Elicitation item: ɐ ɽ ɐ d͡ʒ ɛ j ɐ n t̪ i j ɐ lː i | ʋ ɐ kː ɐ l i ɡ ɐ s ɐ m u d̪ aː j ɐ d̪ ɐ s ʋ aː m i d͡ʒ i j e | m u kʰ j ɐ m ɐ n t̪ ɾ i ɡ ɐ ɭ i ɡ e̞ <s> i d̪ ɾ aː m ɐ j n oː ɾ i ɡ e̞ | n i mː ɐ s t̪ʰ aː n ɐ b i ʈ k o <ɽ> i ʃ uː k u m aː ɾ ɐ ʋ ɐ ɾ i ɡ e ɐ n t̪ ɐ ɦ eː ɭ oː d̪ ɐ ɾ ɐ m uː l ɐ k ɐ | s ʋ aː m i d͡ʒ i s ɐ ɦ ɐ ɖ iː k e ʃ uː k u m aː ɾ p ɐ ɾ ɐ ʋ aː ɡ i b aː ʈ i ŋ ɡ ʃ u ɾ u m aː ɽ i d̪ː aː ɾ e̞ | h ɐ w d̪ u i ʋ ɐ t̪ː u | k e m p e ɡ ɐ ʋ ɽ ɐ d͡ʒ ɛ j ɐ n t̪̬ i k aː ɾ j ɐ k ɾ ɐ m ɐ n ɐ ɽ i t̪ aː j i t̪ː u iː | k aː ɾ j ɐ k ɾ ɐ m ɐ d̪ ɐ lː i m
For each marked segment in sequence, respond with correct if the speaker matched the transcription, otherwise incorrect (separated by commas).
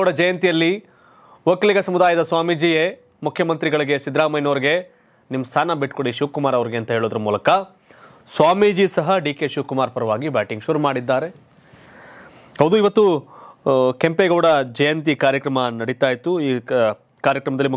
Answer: correct, correct